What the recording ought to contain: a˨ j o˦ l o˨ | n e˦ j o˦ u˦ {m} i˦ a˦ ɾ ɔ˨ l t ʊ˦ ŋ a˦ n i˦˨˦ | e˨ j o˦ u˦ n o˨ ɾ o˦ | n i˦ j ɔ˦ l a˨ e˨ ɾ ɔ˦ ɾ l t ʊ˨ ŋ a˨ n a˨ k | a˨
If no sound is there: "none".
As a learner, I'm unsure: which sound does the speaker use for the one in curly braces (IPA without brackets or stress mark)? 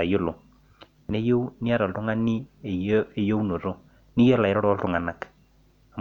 n